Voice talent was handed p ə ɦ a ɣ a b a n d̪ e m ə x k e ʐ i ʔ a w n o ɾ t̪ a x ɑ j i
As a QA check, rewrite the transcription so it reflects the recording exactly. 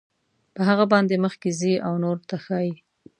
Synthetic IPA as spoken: p ə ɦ a ɣ a b ɑ n d̪ e m ə x k e z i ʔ a w n o ɾ t̪ a x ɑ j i

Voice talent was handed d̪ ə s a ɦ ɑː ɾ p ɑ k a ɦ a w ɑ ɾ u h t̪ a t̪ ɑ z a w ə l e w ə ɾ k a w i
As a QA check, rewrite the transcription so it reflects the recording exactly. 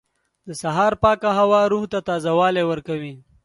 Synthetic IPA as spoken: d̪ ə s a ɦ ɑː ɾ p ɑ k a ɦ a w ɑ ɾ u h t̪ a t̪ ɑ z a w ɑ l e w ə ɾ k a w i

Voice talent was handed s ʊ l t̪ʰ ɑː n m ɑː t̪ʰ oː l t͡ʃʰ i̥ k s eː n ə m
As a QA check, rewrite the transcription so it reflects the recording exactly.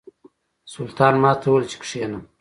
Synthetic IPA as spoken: s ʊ l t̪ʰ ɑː n m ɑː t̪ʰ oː l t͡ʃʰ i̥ k ʂ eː n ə m

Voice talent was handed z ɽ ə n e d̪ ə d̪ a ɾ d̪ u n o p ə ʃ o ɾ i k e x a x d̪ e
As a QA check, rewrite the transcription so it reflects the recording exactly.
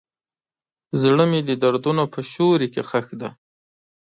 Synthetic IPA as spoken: z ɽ ə m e d̪ ə d̪ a ɾ d̪ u n o p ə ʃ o ɾ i k e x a x d̪ a

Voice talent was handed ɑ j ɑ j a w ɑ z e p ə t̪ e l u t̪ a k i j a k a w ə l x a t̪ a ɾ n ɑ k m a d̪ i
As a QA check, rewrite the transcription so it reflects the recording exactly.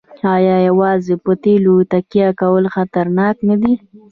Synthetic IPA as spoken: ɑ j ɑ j a w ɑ z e p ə t̪ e l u t̪ a k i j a k a w ə l x a t̪ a ɾ n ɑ k n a d̪ i

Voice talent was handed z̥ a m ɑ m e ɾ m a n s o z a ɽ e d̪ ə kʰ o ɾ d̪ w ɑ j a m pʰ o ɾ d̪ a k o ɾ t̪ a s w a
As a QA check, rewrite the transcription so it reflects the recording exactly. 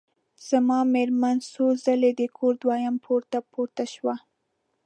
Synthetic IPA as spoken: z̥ a m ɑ m e ɾ m a n s o z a l e d̪ ə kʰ o ɾ d̪ w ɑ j a m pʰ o ɾ t̪ a p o ɾ t̪ a ʃ w a

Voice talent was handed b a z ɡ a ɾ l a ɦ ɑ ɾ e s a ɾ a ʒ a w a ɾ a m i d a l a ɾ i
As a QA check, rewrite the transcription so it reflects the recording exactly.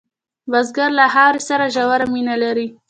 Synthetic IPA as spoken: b a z ɡ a ɾ l a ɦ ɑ ɾ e s a ɾ a ʒ a w a ɾ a m i n a l a ɾ i

